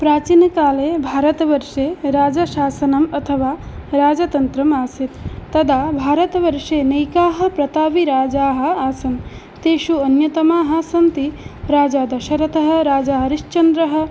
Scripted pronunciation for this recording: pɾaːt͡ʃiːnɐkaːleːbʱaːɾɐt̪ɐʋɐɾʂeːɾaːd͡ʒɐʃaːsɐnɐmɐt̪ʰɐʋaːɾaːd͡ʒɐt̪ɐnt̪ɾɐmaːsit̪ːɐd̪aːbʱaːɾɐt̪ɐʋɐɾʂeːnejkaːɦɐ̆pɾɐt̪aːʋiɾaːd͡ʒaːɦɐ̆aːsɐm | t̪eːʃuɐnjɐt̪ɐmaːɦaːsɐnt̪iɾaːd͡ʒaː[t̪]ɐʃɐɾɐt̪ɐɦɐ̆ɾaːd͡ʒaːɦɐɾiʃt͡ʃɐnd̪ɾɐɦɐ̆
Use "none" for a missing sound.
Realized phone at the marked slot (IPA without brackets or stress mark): d̪